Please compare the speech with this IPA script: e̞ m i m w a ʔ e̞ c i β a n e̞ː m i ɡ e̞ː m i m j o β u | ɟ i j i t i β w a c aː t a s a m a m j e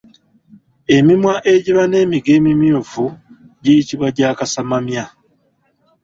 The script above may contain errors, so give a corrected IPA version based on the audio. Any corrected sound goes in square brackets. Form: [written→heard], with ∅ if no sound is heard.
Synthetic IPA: e̞ m i m w a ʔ e̞ [c→ɟ] i β a n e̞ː m i ɡ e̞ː m i m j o [β→v] u | ɟ i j i t i β w a [c→ɟ] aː [t→k] a s a m a m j [e→a]